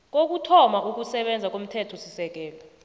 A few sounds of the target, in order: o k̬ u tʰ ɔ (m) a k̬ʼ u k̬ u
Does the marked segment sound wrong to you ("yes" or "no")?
no